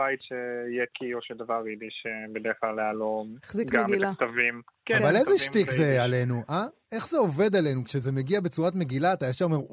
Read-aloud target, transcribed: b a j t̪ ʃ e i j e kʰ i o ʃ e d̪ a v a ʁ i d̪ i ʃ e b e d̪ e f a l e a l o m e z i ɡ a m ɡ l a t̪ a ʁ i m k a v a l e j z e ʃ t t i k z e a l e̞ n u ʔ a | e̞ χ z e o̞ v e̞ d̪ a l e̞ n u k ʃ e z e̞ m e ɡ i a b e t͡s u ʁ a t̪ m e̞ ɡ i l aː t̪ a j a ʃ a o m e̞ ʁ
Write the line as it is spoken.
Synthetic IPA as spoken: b a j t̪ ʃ e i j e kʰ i o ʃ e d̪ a v a ʁ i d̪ i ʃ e b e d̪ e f a l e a l o m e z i ɡ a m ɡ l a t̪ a v i m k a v a l e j z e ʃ t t i k z e a l e̞ n u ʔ a | e̞ χ z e o̞ v e̞ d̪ a l e̞ n u k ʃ e z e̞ m e ɡ i a b e t͡s u ʁ a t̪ m e̞ ɡ i l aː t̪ a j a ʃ a o m e̞ ʁ